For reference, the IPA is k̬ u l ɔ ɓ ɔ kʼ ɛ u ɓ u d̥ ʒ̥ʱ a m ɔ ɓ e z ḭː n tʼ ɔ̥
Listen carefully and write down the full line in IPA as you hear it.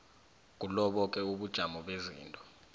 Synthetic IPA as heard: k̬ u l ɔ ɓ ɔ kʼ ɛ u ɓ u d̥ ʒ̥ʱ a m ɔ ɓ e z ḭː n tʼ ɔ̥